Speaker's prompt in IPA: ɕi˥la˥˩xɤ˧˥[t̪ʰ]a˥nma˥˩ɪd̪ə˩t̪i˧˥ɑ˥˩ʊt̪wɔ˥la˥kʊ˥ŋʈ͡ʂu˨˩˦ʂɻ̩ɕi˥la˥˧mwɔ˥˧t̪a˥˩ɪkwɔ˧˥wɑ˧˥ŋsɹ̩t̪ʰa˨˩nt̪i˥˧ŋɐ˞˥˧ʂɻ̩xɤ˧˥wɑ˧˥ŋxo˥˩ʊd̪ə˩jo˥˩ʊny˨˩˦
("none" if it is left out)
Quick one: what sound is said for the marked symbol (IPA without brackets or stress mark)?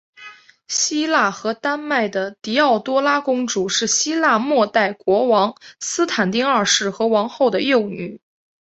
t̪